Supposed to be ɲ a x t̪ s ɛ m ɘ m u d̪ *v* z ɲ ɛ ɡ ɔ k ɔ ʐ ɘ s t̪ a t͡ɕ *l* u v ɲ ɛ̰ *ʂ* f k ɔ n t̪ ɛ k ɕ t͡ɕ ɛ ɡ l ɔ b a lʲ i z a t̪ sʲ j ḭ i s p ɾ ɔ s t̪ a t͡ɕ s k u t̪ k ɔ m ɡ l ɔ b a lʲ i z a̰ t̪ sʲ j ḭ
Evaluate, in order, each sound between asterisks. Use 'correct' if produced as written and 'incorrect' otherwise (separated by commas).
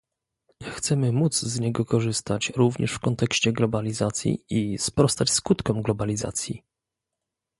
incorrect, incorrect, correct